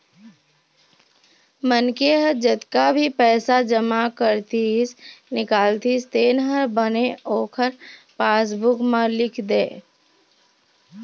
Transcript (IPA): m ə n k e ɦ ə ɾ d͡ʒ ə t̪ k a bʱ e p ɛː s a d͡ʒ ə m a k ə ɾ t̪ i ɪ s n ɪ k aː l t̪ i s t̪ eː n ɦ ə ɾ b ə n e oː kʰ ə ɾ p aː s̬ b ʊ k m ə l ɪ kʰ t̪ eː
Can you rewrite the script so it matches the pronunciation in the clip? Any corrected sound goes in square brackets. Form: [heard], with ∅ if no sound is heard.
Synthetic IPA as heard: m ə n k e ɦ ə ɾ d͡ʒ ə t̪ k a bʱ [i] p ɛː s a d͡ʒ ə m a k ə ɾ t̪ i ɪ s n ɪ k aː l t̪ i s t̪ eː n ɦ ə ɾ b ə n e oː kʰ ə ɾ p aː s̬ b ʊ k m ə l ɪ kʰ [d̪] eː